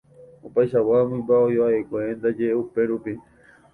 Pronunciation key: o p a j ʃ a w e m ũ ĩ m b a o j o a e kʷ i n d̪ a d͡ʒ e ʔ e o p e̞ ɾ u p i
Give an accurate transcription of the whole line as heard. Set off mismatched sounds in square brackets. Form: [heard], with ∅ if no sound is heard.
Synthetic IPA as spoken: o p a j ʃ a w [a] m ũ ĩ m b a o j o a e kʷ [e] n d̪ a d͡ʒ e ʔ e [u] p e̞ ɾ u p i